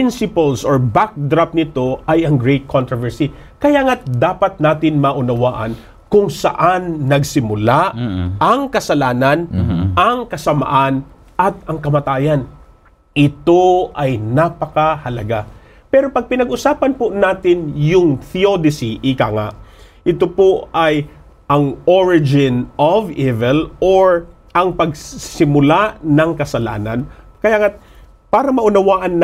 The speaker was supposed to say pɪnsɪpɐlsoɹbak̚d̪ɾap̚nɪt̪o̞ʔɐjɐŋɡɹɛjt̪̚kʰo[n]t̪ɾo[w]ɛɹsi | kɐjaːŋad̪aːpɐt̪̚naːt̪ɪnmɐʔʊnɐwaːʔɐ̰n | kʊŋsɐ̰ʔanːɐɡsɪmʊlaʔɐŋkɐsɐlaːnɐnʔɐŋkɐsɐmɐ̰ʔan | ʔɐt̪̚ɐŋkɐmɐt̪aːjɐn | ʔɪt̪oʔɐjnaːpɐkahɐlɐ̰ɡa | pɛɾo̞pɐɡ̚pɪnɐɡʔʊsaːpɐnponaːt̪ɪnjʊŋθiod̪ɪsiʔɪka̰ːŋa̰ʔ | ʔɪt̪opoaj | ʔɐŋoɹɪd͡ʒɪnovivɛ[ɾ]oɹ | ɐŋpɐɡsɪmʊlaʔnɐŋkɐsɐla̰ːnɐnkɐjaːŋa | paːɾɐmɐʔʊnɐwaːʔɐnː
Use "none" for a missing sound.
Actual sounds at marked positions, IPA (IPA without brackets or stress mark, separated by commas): n, v, l